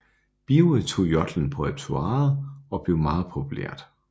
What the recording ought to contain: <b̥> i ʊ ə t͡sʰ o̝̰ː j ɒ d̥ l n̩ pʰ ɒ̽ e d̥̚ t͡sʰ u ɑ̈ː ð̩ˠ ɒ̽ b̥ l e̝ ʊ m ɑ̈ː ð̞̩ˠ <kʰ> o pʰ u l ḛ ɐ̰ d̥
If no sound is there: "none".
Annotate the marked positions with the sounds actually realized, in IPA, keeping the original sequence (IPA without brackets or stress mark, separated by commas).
b̥, pʰ